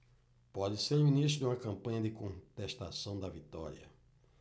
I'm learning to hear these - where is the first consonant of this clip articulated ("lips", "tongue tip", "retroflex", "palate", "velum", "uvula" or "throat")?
lips